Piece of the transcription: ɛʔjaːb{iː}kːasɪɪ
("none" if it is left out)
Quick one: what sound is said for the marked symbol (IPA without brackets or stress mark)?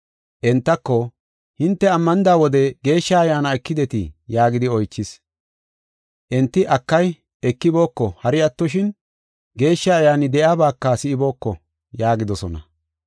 aː